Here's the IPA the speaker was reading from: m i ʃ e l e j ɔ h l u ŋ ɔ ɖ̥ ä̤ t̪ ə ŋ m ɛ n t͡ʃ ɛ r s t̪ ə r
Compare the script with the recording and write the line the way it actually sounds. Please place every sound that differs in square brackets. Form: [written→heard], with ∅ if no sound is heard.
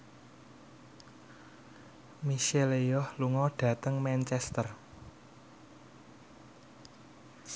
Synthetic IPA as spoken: m i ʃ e l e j ɔ h l u ŋ ɔ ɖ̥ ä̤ t̪ ə ŋ m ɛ n t͡ʃ ɛ [r→∅] s t̪ ə r